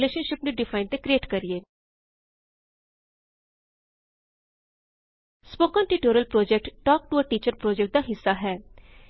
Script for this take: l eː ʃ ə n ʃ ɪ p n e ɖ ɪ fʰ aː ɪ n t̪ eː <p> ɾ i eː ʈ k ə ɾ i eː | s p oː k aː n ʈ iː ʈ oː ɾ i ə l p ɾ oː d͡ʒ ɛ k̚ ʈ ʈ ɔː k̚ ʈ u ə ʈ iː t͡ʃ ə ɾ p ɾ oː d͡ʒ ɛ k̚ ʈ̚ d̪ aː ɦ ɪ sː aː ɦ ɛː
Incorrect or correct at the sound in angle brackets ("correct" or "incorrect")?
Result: incorrect